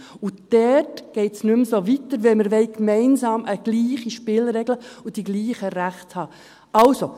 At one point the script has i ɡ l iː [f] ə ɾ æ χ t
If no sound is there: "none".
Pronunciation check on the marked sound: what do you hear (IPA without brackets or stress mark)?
χ